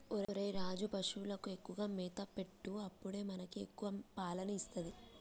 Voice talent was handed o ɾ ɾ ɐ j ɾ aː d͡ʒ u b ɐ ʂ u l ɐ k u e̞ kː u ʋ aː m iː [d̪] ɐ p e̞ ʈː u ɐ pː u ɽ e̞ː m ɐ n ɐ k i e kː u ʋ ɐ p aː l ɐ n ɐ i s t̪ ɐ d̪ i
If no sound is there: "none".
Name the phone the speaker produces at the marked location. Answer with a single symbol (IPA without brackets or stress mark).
t̪